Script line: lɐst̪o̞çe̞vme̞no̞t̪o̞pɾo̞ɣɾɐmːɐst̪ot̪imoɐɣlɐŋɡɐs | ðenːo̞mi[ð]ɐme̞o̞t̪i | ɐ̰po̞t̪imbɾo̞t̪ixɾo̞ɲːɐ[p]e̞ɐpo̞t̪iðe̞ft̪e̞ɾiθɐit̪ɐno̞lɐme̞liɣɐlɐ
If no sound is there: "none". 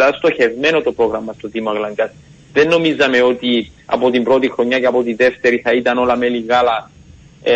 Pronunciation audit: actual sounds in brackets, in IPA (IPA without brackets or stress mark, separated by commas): z, c